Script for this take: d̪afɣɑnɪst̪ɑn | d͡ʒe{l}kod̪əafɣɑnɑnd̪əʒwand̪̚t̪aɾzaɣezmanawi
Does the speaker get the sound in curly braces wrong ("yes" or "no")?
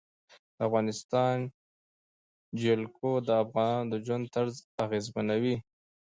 no